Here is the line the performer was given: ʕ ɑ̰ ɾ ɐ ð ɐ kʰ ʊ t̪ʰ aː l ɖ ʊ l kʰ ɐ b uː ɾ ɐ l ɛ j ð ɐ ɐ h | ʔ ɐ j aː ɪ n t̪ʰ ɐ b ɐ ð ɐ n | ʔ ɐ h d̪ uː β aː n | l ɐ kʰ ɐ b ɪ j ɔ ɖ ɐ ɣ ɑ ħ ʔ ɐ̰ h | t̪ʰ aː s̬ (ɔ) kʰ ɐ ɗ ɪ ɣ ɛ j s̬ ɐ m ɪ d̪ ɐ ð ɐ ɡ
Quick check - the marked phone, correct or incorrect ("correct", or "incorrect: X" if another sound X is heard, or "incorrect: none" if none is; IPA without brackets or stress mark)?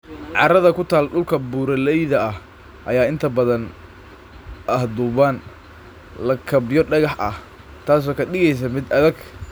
incorrect: ɔː